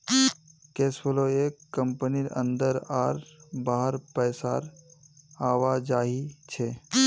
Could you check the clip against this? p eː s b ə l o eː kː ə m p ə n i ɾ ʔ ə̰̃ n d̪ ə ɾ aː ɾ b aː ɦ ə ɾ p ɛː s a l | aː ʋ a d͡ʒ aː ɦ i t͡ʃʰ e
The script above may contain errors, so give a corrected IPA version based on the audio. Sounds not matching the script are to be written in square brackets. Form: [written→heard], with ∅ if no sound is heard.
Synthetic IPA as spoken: [p→k] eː s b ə l o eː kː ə m p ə n i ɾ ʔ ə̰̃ n d̪ ə ɾ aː ɾ b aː ɦ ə ɾ p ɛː s a [l→ɾ] | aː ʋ a d͡ʒ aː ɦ i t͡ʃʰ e